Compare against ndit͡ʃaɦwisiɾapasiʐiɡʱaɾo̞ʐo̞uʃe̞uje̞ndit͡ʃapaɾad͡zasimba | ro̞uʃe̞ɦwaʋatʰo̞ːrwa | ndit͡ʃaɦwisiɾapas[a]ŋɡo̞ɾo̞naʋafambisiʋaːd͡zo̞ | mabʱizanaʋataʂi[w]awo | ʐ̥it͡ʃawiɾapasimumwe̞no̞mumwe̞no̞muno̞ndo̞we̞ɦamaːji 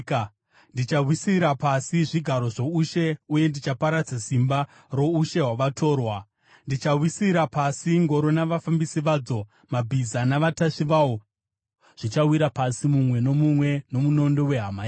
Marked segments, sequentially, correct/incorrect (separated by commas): incorrect, incorrect